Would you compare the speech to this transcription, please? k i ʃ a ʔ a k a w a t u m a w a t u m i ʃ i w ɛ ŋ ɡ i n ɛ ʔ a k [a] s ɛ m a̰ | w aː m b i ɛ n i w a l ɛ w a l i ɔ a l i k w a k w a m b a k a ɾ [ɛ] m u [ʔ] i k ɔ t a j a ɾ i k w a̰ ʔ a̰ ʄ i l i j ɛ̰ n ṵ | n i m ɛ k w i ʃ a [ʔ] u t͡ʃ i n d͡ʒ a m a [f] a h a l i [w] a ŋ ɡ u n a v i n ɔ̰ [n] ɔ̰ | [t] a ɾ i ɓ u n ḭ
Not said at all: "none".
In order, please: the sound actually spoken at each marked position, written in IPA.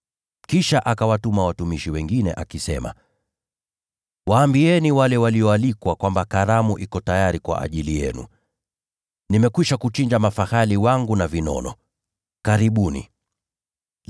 i, a, ʔ, k, f, w, n, k

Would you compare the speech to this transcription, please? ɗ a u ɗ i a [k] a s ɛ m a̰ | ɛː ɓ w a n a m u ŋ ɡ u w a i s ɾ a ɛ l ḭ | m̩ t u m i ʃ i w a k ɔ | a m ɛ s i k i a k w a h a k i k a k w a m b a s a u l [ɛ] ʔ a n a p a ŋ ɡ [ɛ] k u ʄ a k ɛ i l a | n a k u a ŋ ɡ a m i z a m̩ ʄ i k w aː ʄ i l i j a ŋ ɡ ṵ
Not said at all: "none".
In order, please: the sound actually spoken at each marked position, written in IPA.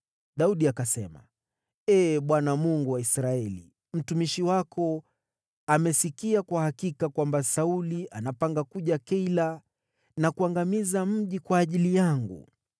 k, i, a

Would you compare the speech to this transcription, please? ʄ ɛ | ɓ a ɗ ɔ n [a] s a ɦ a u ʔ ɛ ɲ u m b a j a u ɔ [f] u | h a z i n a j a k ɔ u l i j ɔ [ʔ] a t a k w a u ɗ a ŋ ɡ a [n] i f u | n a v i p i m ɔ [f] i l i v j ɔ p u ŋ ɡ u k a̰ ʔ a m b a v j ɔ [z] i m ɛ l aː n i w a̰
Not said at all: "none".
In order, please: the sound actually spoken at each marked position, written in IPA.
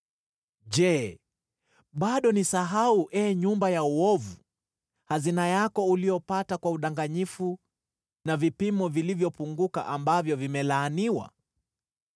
i, v, p, ɲ, v, v

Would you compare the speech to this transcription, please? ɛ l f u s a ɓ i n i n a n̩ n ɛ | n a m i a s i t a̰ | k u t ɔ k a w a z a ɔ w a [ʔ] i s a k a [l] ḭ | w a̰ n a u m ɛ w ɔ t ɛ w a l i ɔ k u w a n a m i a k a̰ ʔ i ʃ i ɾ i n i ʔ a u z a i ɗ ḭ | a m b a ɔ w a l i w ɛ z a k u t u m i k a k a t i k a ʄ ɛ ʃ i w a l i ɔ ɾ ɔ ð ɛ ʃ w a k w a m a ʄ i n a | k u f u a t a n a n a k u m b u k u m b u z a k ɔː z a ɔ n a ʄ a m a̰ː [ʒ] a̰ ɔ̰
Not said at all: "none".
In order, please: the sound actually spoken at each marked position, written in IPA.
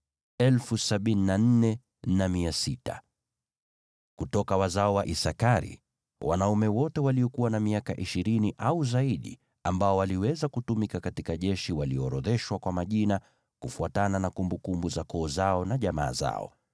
ʔ, ɾ, z

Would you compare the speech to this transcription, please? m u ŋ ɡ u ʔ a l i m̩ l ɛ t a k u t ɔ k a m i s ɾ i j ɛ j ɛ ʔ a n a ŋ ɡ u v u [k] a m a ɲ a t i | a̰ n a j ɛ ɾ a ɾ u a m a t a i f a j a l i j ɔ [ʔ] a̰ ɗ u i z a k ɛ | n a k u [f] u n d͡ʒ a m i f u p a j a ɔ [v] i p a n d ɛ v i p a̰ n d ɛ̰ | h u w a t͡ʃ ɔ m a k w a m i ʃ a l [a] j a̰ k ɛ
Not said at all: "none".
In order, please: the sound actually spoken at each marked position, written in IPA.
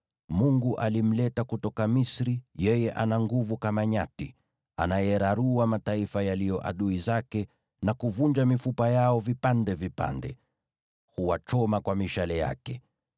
k, ʔ, v, v, ɛ

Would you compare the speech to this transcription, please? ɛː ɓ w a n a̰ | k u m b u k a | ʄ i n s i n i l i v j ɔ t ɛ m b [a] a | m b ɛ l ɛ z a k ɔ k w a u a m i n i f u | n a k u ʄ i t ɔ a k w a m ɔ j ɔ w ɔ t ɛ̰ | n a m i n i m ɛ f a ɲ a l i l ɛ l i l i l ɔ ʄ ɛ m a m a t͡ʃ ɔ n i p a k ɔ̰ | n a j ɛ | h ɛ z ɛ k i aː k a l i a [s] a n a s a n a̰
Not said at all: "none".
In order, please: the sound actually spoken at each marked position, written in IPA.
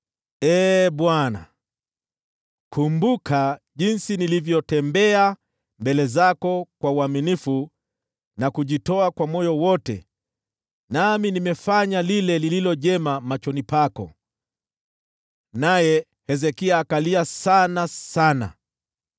ɛ, s

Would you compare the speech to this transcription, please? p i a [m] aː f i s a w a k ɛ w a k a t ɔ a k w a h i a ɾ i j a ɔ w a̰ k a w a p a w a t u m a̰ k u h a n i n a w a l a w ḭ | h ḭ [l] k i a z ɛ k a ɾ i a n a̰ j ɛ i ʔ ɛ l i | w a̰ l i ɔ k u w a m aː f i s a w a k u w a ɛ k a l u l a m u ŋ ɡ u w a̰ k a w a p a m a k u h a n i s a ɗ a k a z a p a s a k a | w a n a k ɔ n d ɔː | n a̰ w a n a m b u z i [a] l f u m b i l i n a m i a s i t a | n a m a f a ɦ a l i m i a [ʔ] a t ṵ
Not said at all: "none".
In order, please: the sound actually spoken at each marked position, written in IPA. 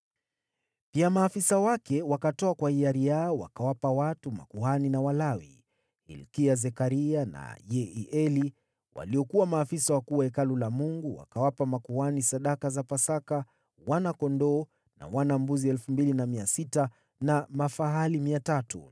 m, l, ɛ, t

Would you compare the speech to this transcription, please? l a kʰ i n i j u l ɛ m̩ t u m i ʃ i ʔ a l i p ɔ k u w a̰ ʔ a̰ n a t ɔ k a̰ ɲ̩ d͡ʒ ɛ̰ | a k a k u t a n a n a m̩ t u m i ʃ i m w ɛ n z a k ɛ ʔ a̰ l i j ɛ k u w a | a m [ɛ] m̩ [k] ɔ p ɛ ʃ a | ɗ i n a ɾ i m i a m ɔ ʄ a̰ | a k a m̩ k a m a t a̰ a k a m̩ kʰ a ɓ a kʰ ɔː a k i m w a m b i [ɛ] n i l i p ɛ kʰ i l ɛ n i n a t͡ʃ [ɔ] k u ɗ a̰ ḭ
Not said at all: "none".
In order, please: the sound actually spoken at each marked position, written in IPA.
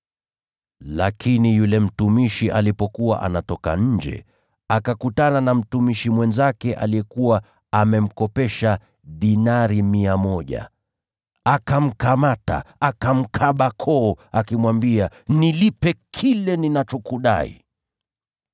ɛ, k, a, ɔ

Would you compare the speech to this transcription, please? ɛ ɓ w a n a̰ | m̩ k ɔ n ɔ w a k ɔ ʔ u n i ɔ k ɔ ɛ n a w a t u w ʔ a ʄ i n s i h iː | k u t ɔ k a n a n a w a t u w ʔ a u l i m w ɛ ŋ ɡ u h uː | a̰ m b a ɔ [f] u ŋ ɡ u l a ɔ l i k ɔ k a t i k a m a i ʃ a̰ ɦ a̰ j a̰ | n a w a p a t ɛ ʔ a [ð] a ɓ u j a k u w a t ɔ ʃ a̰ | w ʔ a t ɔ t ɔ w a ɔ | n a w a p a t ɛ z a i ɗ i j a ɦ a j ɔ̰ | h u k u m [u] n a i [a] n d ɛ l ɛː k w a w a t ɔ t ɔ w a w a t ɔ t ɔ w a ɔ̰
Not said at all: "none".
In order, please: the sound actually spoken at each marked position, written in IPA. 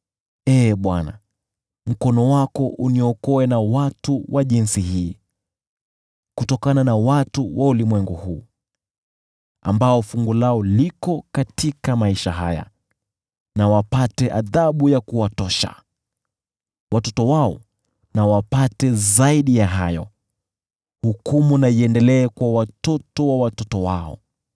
f, ð, u, ɛ

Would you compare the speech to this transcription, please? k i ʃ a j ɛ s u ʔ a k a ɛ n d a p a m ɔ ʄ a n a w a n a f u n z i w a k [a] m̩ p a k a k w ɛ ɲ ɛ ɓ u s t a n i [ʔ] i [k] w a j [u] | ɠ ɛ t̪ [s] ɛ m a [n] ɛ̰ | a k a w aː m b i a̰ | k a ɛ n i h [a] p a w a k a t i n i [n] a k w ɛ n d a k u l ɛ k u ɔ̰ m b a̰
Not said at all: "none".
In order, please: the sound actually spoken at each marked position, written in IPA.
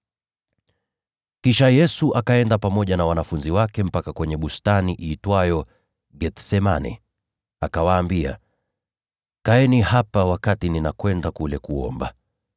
ɛ, ʔ, t, ɔ, s, n, a, n

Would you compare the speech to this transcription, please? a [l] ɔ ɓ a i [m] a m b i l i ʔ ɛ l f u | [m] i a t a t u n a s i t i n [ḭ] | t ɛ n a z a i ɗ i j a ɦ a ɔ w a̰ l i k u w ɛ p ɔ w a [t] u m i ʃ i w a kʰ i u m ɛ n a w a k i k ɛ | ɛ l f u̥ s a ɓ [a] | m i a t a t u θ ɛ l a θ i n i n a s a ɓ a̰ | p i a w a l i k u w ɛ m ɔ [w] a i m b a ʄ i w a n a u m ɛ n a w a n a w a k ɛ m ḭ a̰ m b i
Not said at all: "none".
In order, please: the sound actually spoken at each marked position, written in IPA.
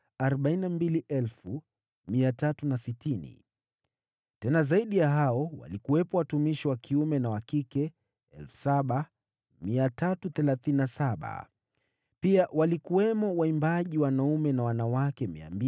ɾ, n, m, ḭ, t, a, w

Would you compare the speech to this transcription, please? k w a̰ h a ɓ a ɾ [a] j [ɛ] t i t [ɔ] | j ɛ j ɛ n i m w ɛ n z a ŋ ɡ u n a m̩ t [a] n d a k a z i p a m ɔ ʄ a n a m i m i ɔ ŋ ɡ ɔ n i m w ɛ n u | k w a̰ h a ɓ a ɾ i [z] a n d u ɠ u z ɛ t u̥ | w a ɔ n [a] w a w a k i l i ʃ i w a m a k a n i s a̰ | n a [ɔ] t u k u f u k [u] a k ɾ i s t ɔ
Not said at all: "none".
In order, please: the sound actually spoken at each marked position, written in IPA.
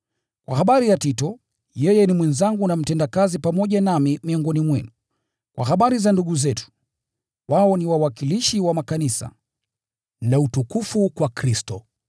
i, a, ɔ, ɛ, z, i, u, w

